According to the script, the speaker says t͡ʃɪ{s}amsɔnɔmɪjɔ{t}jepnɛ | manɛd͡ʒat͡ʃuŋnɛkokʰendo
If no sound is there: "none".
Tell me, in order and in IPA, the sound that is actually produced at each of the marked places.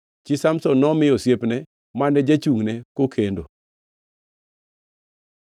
s, s

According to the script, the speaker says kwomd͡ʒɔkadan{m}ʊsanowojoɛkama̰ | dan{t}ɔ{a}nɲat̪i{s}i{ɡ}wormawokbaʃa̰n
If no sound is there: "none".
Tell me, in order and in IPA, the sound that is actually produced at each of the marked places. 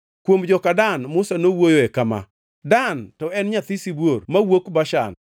m, t, ɛ, s, b

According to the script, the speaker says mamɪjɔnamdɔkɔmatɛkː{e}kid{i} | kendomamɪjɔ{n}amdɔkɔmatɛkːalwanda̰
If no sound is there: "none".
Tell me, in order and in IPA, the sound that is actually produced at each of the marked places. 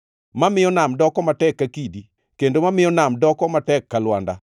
a, i, n

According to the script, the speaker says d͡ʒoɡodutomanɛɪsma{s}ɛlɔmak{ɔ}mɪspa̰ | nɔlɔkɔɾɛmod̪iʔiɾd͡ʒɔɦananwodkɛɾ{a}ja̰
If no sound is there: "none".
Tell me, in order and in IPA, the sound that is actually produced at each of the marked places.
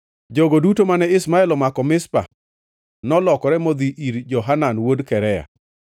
none, ɔ, ɛ

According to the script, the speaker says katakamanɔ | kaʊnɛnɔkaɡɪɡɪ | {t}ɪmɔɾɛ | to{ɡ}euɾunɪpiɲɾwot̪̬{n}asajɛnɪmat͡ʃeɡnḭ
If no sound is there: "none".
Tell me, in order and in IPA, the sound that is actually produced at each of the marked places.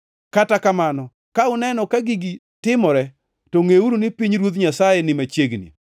t, ŋ, ɲ

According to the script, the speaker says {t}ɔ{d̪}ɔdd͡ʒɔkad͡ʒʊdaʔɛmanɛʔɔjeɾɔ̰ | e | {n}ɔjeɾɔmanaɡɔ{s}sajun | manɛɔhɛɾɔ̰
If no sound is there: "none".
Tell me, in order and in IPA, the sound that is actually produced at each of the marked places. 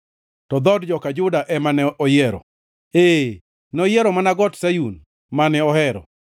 t, d̪, n, t

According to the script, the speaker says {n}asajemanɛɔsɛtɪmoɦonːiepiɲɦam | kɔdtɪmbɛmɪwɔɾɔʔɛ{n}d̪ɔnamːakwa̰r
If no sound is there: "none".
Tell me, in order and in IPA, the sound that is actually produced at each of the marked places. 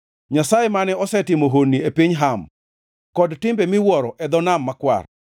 ɲ, none

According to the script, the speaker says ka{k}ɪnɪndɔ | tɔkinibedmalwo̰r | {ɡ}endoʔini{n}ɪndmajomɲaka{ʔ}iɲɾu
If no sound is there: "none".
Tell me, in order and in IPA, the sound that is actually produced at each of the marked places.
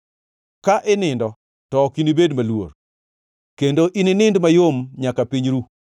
ʔ, k, n, p

